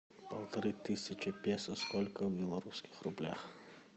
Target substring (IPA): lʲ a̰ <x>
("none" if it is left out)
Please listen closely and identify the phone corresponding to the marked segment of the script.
x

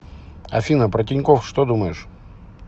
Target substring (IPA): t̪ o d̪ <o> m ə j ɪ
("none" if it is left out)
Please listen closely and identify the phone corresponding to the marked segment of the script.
u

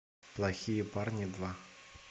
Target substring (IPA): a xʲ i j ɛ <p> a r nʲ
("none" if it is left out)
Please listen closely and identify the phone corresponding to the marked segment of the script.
p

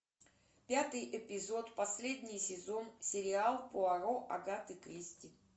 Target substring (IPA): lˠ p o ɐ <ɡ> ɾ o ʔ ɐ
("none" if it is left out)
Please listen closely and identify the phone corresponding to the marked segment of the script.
none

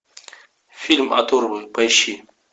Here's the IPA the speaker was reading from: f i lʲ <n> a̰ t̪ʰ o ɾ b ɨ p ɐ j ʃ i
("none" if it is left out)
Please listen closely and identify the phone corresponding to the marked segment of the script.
m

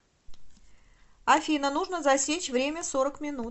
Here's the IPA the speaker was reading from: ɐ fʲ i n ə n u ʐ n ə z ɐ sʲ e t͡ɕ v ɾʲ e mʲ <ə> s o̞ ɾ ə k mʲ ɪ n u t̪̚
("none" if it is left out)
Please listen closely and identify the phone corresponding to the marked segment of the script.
ə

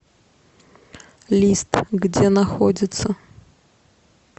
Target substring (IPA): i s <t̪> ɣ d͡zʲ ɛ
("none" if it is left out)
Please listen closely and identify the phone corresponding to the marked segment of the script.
t̪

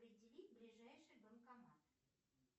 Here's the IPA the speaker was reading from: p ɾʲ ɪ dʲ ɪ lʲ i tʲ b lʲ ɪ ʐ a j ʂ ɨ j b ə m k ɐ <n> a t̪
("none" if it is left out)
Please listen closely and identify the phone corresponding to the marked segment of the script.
m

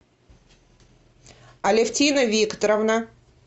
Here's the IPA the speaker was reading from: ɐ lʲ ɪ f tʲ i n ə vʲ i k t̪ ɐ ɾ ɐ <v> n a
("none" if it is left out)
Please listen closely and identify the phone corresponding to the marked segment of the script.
v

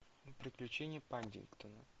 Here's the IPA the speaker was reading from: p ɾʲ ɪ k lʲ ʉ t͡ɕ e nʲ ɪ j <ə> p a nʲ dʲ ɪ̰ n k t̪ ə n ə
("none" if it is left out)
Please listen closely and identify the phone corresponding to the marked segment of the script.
ə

